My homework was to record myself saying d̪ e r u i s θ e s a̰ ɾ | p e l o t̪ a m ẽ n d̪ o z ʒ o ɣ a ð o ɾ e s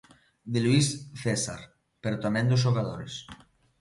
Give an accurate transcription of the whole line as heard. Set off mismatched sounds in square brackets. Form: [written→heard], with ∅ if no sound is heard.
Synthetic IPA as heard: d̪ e [r→l] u i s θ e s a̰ ɾ | p e [l→ɾ] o t̪ a m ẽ n d̪ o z ʒ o ɣ a ð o ɾ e s